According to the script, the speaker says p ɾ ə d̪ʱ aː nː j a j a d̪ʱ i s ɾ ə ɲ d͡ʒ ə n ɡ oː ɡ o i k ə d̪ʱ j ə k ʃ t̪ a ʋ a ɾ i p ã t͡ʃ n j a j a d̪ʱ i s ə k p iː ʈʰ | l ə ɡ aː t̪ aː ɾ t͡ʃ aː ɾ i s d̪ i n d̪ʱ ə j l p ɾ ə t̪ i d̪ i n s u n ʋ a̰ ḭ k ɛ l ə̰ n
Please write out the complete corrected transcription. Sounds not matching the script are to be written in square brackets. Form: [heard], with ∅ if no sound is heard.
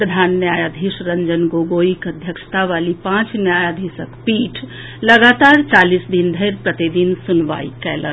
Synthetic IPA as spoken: p ɾ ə d̪ʱ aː nː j a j a d̪ʱ i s ɾ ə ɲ d͡ʒ ə n ɡ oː ɡ o i k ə d̪ʱ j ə k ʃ t̪ a ʋ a [l] i p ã t͡ʃ n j a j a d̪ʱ i s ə k p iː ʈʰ | l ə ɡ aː t̪ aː ɾ t͡ʃ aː [l] i s d̪ i n d̪ʱ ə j [ɾ] p ɾ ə t̪ i d̪ i n s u n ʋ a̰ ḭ k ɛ l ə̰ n

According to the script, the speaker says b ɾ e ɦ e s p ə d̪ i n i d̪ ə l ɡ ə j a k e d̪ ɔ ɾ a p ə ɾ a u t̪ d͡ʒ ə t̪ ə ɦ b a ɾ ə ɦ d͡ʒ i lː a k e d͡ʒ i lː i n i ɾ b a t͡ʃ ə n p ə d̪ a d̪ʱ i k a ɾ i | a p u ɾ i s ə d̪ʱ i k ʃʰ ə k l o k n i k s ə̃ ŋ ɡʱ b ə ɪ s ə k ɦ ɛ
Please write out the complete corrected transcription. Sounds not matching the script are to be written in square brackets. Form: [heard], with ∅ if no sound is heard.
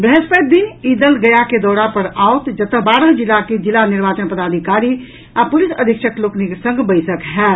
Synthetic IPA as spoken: b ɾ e ɦ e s p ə d̪ i n i d̪ ə l ɡ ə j a k e d̪ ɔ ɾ a p ə ɾ a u t̪ d͡ʒ ə t̪ ə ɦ b a ɾ ə ɦ d͡ʒ i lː a k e d͡ʒ i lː [a] n i ɾ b a t͡ʃ ə n p ə d̪ a d̪ʱ i k a ɾ i | a p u [l] i s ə d̪ʱ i k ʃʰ ə k l o k n i k s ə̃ ŋ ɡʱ b ə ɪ s ə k ɦ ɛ

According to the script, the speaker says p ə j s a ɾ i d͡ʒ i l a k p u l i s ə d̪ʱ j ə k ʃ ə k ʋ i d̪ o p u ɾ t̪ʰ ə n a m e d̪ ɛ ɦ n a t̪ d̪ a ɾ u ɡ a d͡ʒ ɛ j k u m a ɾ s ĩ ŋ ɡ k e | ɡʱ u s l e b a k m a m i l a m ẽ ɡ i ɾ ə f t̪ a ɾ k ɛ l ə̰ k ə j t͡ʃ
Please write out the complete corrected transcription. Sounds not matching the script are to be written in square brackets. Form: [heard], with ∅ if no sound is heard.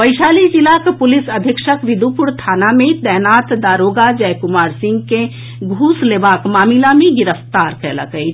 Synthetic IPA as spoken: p ə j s a [l] i d͡ʒ i l a k p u l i s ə d̪ʱ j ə k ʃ ə k ʋ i d̪ [u] p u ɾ t̪ʰ [a] n a m e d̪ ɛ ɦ n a t̪ d̪ a ɾ [o] ɡ a d͡ʒ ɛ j k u m a ɾ s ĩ ŋ ɡ k e | ɡʱ u s l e b a k m a m i l a m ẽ ɡ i ɾ ə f t̪ a ɾ k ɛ l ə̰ k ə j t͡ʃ

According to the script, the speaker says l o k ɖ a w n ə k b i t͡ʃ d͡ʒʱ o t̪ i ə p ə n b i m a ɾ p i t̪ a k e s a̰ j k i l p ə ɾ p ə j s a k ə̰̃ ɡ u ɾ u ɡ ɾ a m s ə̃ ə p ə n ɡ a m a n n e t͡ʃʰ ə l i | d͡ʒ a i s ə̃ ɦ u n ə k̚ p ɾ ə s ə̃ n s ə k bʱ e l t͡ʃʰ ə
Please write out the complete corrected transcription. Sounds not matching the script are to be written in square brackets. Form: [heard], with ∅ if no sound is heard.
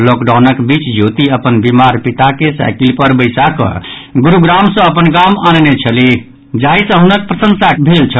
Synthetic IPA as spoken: l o k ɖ a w n ə k b i t͡ʃ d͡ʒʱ o t̪ i ə p ə n b i m a ɾ p i t̪ a k e s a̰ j k i l p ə ɾ [b] ə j s a k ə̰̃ ɡ u ɾ u ɡ ɾ a m s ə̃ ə p ə n ɡ a m a n n e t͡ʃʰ ə l i | d͡ʒ a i s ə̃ ɦ u n ə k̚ p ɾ ə s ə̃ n s [a] k bʱ e l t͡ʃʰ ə

